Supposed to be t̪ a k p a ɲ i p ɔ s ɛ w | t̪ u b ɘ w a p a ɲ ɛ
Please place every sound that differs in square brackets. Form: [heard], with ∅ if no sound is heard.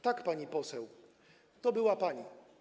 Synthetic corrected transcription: t̪ a k p a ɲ i p ɔ s ɛ w | t̪ [ɔ] b ɘ w a p a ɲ [i]